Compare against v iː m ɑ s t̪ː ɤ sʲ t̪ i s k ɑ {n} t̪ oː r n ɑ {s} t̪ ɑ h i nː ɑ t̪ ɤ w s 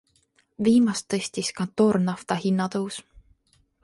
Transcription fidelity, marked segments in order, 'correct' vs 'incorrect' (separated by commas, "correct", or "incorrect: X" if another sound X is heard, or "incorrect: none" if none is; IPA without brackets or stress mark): correct, incorrect: f